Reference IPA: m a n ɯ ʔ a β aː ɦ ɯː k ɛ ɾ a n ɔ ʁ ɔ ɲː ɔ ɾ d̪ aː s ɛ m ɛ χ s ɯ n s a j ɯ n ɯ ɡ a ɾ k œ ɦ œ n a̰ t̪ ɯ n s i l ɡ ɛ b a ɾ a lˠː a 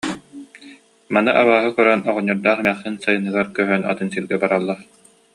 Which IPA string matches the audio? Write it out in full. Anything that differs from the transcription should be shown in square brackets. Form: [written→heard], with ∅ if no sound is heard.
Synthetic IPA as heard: m a n ɯ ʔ a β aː ɦ [ɯː→ɯ] k [ɛ→œ] ɾ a n ɔ ʁ ɔ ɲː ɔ ɾ d̪ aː [s→χ] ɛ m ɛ χ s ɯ n s a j ɯ n ɯ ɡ a ɾ k œ ɦ œ n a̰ t̪ ɯ n s i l ɡ ɛ b a ɾ a lˠː a